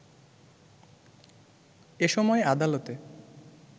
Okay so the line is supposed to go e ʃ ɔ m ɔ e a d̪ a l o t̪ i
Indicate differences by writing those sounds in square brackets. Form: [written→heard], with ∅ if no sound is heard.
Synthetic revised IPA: e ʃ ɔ m ɔ e a d̪ a l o t̪ [i→e]